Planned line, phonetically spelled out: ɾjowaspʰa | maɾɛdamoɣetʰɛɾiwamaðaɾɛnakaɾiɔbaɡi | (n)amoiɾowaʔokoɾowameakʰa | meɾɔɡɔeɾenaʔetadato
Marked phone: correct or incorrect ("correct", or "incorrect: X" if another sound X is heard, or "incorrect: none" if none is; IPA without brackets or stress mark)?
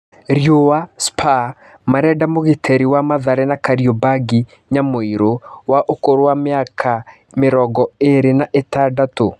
incorrect: ɲ